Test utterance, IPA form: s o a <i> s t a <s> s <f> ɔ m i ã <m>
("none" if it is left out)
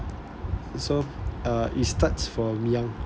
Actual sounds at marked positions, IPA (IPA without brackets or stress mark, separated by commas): i, t, f, ŋ